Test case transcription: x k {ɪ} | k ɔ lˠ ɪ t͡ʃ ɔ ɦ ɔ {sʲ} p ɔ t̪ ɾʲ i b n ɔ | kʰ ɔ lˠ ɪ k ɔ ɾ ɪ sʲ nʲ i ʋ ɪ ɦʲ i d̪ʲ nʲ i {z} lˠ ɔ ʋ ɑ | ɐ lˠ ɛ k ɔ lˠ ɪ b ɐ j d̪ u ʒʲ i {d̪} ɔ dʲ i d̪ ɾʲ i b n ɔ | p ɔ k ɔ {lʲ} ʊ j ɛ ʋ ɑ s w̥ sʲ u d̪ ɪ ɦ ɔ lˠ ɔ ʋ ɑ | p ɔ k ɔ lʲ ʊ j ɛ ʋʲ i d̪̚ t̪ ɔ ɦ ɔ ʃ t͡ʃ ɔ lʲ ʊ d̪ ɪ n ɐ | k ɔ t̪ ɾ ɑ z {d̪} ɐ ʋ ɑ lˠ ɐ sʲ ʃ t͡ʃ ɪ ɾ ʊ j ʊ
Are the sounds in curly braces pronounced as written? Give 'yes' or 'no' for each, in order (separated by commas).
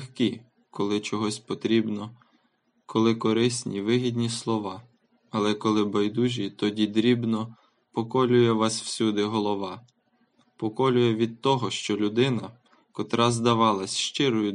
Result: no, yes, no, no, yes, yes